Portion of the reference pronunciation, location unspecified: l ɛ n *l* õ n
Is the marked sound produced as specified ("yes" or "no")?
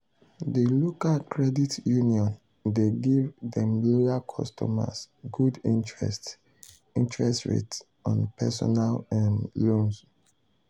yes